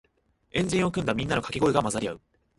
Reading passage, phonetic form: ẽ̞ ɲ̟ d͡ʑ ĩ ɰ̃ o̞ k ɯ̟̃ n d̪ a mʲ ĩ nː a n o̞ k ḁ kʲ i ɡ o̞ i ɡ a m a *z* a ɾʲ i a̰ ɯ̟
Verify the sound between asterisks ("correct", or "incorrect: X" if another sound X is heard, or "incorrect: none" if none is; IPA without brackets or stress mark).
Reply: correct